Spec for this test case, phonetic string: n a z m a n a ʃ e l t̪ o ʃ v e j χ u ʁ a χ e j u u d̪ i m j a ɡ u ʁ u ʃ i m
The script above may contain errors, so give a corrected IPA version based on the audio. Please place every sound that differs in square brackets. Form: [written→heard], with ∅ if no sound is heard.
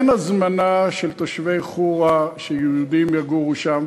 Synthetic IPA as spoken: n a z m a n a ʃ e l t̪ o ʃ v e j χ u ʁ a [χ→ʃ] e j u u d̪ i m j a ɡ u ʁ u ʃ [i→a] m